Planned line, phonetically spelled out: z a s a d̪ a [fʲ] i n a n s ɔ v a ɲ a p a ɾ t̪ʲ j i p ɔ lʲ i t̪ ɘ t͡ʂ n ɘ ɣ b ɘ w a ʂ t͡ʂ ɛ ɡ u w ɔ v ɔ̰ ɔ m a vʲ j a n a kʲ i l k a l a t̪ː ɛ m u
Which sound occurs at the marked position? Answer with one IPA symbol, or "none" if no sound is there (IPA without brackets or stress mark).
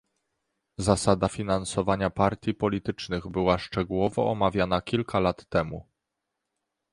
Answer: fʲ